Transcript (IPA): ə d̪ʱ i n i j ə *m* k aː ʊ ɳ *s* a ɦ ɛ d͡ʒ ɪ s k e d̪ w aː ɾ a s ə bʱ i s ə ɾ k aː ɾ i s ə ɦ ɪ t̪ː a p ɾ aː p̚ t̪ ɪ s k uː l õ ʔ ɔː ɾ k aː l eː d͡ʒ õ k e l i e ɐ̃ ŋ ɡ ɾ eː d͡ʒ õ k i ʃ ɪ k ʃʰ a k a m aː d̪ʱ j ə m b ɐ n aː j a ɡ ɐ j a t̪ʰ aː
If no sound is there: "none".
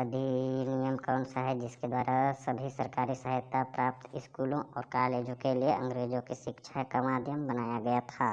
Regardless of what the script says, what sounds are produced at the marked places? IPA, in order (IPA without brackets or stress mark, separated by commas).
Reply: m, s